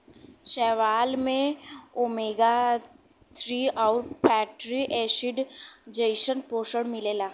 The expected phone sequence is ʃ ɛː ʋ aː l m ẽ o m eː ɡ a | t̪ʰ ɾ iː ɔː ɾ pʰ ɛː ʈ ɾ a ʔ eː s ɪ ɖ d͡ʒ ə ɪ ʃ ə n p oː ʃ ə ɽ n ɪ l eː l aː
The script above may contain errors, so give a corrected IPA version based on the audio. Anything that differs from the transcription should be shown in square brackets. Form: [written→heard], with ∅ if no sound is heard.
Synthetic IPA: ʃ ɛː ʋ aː l m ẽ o m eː ɡ a | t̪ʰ ɾ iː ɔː ɾ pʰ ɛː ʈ ɾ [a→i] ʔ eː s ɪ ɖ d͡ʒ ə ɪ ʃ ə n p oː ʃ ə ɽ [n→m] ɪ l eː l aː